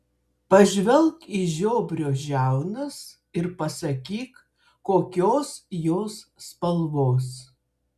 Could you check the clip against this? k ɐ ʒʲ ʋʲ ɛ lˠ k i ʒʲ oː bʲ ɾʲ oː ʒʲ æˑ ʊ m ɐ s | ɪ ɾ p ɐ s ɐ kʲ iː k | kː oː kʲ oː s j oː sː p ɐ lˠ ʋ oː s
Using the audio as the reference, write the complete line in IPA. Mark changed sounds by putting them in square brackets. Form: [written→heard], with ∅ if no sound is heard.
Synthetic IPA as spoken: [k→p] ɐ ʒʲ ʋʲ ɛ lˠ k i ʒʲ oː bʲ ɾʲ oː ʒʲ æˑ ʊ [m→n] ɐ s | ɪ ɾ p ɐ s ɐ kʲ iː k | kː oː kʲ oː s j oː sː p ɐ lˠ ʋ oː s